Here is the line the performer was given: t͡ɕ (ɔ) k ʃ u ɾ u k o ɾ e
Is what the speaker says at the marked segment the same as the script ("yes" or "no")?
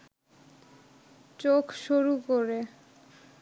no